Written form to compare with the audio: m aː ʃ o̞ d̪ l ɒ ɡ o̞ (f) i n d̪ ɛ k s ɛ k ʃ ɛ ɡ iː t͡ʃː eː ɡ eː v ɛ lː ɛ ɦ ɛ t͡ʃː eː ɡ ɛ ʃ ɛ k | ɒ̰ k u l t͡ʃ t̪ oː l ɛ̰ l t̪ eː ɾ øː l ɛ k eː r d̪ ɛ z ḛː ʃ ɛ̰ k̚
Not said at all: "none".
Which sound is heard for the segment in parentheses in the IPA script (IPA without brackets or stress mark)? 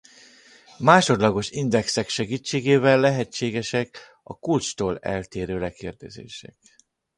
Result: ʃ